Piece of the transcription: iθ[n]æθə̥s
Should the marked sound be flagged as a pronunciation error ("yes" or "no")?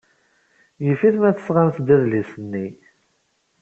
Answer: yes